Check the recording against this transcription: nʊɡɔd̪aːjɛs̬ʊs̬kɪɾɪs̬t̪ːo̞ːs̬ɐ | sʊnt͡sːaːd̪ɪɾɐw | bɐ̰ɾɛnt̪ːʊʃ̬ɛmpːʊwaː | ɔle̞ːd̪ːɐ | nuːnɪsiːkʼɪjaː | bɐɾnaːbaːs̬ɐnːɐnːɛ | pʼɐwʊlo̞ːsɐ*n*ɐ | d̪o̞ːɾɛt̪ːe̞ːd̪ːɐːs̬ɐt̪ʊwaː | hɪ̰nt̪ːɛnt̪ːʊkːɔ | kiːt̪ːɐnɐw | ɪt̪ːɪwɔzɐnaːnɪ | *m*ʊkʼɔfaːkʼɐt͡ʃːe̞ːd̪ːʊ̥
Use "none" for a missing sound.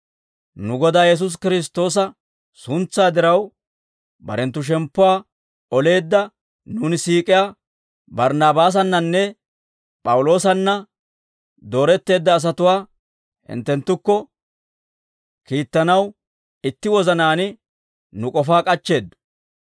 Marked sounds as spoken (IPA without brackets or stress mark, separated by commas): nː, n